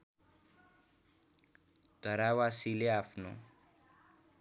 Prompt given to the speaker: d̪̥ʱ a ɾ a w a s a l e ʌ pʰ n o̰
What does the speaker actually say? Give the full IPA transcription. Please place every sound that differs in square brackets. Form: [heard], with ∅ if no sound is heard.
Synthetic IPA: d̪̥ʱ [ʌ] ɾ a w a s [i] l e [a] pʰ n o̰